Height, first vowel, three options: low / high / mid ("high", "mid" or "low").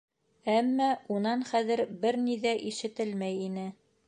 low